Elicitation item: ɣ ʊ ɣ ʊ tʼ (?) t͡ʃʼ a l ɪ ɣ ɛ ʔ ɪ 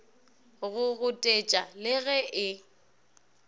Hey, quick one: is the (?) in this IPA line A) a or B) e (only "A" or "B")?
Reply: B